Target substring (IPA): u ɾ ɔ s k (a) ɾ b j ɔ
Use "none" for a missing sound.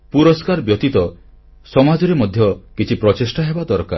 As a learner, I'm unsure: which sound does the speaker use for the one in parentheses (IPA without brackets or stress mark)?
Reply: a